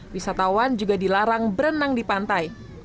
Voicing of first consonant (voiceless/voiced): voiced